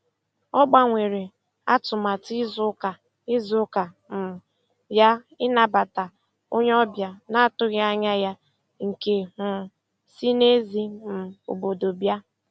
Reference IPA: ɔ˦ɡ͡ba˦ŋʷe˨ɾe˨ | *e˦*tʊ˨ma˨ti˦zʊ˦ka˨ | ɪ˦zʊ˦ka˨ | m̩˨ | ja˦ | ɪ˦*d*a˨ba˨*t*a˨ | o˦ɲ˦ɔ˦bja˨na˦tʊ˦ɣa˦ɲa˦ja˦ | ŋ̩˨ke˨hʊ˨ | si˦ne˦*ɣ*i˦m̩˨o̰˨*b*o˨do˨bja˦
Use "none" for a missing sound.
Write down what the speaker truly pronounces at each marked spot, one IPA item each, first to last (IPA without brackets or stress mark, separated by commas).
a˦, n, t, z, b